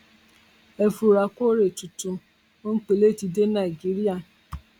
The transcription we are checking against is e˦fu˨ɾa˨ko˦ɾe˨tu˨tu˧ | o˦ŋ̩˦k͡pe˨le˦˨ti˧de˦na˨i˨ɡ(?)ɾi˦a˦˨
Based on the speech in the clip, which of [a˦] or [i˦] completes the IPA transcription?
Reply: i˦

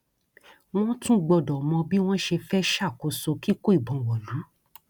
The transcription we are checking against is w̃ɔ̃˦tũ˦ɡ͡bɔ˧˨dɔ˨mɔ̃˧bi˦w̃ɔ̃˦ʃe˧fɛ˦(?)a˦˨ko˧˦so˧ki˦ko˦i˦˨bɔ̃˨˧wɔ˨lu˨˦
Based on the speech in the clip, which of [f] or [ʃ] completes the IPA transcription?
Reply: ʃ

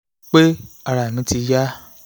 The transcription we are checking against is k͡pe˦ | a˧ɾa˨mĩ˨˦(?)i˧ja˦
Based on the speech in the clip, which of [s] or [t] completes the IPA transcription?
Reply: t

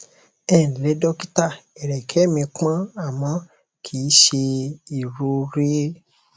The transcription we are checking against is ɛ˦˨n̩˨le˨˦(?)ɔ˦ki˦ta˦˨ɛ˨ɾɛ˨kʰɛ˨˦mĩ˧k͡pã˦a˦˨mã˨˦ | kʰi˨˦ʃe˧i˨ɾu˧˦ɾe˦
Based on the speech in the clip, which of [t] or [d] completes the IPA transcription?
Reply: d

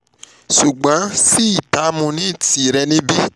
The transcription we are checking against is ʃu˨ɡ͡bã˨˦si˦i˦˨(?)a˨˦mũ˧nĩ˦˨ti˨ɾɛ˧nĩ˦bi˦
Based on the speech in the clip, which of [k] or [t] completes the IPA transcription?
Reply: t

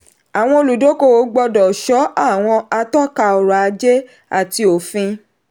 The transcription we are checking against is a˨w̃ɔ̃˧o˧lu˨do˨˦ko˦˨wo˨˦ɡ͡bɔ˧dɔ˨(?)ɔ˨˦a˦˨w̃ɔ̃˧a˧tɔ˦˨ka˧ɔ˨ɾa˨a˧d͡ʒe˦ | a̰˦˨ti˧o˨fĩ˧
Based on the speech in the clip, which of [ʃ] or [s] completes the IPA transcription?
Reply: ʃ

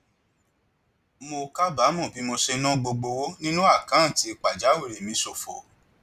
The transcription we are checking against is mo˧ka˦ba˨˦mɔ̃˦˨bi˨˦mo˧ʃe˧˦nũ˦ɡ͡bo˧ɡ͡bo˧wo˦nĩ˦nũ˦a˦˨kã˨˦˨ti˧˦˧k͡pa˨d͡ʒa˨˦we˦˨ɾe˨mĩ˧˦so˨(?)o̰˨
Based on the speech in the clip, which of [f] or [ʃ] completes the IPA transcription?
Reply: f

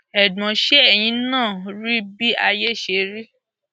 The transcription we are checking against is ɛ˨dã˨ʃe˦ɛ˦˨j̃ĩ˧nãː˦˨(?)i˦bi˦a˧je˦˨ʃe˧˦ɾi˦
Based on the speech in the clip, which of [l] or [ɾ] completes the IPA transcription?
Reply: ɾ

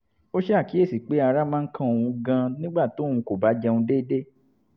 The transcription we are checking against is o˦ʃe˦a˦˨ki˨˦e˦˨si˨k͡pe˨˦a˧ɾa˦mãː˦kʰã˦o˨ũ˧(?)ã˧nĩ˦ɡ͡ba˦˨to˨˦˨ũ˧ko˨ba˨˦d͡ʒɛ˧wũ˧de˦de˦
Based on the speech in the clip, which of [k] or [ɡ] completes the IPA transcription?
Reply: ɡ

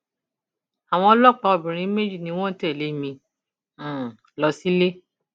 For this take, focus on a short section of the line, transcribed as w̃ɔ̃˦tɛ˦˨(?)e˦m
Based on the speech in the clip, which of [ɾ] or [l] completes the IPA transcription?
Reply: l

